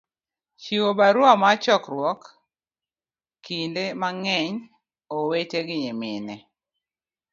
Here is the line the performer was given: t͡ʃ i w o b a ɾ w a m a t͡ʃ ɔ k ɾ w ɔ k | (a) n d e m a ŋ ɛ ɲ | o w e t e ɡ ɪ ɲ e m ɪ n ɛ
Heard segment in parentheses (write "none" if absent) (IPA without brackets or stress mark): i